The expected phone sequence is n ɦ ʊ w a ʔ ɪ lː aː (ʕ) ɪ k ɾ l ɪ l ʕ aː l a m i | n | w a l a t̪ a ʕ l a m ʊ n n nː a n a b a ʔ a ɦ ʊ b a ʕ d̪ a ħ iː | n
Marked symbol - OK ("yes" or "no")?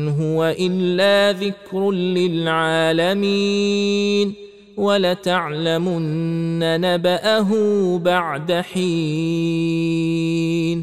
no